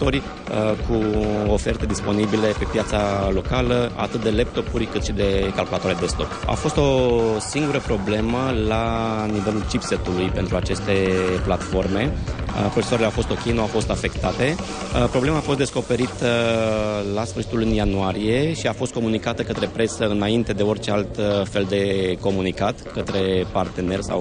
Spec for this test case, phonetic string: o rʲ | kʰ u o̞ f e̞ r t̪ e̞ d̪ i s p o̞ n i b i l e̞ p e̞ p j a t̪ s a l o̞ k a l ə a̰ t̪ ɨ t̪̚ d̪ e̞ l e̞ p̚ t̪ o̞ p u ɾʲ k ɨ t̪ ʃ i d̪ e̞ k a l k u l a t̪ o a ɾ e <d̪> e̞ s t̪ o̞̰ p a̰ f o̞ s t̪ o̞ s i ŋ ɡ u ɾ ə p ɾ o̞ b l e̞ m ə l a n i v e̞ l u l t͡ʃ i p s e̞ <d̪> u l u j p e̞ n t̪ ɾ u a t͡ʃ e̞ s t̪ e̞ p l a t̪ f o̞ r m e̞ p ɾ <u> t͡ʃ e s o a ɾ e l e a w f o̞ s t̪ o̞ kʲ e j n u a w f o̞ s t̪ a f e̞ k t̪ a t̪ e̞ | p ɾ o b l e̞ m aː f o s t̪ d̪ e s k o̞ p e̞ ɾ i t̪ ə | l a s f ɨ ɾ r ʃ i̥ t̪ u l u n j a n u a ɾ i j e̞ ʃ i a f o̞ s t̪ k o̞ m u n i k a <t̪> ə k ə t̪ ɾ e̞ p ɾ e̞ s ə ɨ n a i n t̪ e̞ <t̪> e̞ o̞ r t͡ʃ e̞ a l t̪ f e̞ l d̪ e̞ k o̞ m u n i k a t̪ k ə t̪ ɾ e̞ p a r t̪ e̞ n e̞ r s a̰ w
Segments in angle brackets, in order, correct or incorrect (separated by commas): correct, incorrect, incorrect, correct, incorrect